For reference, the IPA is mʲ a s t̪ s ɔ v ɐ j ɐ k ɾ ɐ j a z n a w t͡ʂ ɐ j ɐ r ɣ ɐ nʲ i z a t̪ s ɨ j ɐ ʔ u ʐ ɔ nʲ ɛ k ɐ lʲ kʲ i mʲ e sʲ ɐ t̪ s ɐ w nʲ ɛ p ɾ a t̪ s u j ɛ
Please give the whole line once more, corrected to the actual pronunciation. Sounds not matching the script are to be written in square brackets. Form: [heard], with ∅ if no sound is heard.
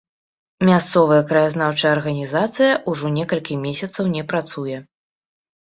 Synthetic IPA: mʲ a s t̪ s ɔ v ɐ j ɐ k ɾ ɐ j a z n a w t͡ʂ ɐ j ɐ r ɣ ɐ nʲ i z a t̪ s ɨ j ɐ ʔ u ʐ ɔ nʲ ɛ k ɐ lʲ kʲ i mʲ e sʲ ɐ t̪ s ɐ w nʲ ɛ p ɾ a t̪ s u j ɛ